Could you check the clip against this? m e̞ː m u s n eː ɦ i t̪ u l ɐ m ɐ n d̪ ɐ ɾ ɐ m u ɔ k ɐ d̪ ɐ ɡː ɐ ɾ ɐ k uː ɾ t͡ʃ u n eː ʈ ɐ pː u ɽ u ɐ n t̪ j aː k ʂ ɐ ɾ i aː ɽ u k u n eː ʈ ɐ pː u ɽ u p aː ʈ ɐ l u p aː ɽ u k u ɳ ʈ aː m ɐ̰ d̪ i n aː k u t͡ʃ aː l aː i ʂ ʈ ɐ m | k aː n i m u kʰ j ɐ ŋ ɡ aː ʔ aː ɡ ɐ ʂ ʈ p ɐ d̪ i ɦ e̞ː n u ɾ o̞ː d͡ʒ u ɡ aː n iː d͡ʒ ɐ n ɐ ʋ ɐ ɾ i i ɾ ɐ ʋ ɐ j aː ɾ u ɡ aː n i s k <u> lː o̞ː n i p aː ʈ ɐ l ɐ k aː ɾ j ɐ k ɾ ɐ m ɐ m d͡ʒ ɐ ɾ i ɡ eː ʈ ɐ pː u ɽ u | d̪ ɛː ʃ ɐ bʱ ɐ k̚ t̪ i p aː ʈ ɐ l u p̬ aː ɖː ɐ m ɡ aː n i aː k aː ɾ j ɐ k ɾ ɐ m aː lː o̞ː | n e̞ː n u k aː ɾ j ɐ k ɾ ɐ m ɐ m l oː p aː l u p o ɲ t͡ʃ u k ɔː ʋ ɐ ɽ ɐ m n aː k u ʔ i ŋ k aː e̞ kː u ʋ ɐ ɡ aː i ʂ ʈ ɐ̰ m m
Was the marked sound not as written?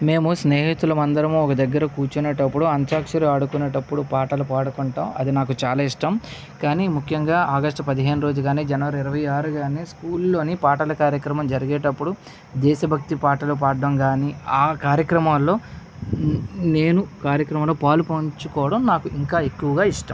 yes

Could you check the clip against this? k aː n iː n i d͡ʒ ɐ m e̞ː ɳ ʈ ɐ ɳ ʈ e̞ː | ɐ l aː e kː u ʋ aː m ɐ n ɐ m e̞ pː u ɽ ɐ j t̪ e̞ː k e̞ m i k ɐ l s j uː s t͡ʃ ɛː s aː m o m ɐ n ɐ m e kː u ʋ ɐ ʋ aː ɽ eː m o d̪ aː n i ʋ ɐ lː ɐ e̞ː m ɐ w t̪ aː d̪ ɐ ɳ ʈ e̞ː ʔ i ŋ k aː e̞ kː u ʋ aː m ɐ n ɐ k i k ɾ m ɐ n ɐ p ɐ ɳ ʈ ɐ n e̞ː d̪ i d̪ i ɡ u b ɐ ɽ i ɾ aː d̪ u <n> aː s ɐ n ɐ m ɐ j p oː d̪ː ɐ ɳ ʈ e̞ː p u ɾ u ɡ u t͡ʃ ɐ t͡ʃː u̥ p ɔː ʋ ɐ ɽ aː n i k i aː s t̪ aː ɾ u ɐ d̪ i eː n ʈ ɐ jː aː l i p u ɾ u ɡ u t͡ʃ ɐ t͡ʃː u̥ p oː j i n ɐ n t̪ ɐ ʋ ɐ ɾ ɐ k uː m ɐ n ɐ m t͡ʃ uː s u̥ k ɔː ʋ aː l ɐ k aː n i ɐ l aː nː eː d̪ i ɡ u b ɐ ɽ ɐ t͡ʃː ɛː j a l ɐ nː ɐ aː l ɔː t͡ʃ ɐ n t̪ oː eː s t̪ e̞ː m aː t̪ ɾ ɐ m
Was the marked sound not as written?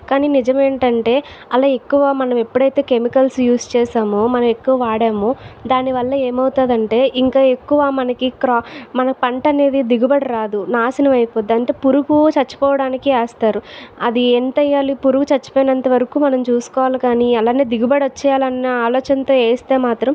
no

